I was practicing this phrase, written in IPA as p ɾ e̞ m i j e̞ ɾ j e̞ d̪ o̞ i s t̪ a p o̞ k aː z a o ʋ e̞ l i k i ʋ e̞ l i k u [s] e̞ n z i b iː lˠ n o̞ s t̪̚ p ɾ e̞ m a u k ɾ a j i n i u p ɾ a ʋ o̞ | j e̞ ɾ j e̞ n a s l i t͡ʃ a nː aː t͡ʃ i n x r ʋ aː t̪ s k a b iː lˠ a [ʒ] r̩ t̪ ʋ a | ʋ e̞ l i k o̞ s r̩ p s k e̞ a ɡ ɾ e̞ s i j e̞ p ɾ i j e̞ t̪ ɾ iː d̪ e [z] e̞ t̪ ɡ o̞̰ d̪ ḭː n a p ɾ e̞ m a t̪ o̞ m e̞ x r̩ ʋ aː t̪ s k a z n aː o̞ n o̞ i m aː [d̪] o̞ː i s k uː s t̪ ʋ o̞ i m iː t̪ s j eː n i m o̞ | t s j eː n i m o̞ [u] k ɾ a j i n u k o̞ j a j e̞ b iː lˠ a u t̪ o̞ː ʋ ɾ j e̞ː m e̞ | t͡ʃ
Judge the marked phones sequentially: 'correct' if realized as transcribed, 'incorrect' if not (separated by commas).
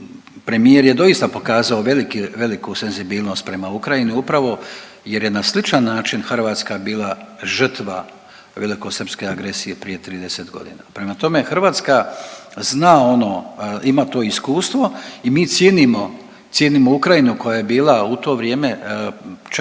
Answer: correct, correct, incorrect, incorrect, correct